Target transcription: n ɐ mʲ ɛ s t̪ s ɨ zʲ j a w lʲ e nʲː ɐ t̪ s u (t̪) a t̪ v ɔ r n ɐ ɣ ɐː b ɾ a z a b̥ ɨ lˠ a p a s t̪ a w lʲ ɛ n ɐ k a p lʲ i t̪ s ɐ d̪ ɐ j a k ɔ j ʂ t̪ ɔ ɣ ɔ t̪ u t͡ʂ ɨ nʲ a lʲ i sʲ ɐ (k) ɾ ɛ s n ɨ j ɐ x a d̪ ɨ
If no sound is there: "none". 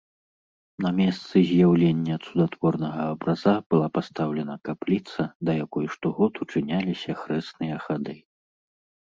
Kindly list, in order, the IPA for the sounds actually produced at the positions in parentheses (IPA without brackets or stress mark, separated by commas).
d̪, x